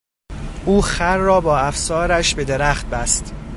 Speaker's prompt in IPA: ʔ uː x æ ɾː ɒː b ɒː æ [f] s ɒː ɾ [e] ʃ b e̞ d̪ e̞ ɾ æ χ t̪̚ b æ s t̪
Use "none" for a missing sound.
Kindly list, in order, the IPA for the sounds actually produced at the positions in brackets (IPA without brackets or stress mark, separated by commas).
f, æ